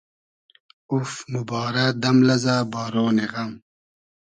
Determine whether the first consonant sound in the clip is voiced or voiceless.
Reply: voiceless